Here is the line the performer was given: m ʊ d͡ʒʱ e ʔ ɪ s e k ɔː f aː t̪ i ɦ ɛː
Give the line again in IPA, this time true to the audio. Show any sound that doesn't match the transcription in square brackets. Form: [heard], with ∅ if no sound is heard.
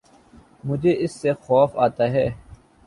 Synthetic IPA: m ʊ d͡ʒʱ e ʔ ɪ [sː] e [x] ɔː f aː t̪ [a] ɦ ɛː

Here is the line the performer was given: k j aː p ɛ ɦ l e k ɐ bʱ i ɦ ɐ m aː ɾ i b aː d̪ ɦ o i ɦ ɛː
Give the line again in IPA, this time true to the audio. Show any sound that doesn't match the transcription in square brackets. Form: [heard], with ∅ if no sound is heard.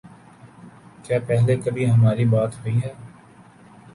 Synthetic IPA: k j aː p ɛ ɦ l e k ɐ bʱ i ɦ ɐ m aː ɾ i b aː [t̪] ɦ o i ɦ ɛː

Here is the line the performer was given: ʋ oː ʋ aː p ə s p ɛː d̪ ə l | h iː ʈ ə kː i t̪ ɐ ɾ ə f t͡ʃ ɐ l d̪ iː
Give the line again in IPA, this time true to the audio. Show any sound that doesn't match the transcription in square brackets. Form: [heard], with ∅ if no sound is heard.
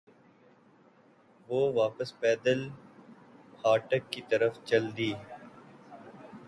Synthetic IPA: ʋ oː ʋ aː p ə s p ɛː d̪ ə l | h [aː] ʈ ə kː i t̪ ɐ ɾ ə f t͡ʃ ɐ l d̪ iː

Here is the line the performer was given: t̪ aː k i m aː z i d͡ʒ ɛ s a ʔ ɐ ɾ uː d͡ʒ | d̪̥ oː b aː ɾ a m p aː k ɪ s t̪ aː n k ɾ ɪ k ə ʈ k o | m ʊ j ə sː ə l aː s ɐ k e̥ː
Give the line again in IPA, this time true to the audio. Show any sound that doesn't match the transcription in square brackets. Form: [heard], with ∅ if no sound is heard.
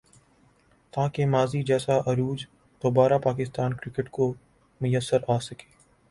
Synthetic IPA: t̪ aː k [e] m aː z i d͡ʒ [ɛː] s a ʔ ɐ ɾ uː d͡ʒ | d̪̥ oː b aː ɾ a [∅] p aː k ɪ s t̪ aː n k ɾ ɪ k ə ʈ k o | m ʊ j ə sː ə [ɾ] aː s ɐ k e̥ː

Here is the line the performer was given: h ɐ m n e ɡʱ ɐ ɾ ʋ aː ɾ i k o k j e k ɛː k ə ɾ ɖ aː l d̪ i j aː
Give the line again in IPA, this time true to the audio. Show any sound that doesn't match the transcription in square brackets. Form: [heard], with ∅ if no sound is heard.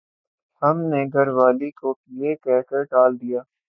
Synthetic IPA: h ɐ m n e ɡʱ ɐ ɾ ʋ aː [l] i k o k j e k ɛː k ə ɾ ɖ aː l d̪ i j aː

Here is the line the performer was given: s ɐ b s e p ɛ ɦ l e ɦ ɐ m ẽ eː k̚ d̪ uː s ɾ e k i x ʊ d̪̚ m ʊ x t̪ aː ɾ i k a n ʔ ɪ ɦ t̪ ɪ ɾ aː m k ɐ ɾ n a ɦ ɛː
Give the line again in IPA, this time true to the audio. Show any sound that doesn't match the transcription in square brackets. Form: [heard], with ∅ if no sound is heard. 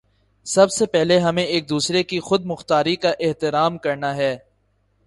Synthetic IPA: s ɐ b s e p ɛ ɦ l e ɦ ɐ m ẽ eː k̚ d̪ uː s ɾ e k i x ʊ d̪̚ m ʊ x t̪ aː ɾ i k a [∅] ʔ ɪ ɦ t̪ ɪ ɾ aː m k ɐ ɾ n a ɦ ɛː

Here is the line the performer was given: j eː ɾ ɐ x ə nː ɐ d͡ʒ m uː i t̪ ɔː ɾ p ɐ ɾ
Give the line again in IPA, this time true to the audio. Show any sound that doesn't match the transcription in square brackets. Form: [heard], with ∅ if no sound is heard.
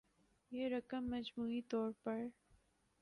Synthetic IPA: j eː ɾ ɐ [k] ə [mː] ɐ d͡ʒ m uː i t̪ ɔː ɾ p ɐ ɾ

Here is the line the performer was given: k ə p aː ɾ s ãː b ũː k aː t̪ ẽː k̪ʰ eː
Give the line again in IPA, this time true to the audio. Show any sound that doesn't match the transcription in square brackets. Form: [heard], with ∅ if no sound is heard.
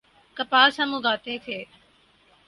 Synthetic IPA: k ə p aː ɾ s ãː [m] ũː [ɡ] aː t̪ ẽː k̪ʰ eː

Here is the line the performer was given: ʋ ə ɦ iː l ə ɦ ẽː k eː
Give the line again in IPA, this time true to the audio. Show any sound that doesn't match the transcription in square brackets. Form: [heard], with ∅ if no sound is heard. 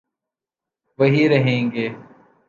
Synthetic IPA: ʋ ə ɦ iː [ɾ] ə ɦ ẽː [ɡ] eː

